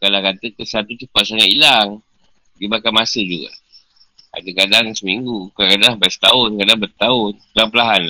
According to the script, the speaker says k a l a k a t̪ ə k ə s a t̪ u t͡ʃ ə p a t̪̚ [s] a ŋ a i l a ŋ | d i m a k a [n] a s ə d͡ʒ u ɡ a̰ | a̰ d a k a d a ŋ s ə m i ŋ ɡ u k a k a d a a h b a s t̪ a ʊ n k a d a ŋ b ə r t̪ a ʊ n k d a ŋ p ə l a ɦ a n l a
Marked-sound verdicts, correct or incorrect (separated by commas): correct, incorrect